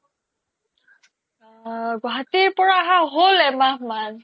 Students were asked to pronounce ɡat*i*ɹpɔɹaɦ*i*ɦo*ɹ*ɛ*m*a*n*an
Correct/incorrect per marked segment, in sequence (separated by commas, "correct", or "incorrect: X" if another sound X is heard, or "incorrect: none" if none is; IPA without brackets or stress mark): correct, incorrect: a, incorrect: l, correct, incorrect: m